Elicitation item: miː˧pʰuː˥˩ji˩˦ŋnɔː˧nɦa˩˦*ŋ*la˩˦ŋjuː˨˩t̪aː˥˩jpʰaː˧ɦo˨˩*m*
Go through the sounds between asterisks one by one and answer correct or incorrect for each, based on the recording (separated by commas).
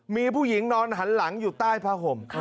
incorrect, correct